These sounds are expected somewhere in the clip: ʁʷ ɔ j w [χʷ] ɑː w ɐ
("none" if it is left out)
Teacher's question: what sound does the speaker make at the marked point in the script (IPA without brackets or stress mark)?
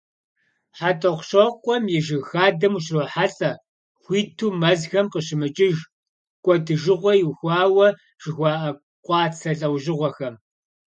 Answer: xʷ